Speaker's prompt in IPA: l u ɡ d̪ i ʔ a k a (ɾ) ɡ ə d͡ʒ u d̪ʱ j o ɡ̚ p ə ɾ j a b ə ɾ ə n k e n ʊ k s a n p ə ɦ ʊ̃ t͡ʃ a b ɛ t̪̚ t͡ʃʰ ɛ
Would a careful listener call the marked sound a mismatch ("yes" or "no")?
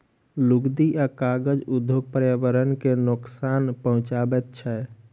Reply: yes